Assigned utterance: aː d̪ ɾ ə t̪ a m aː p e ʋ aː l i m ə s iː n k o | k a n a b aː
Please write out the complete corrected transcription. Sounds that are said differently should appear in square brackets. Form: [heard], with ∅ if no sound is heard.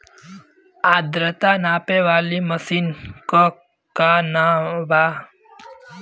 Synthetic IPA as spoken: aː d̪ ɾ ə t̪ a [n] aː p e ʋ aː l i m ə s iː n k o | k a n a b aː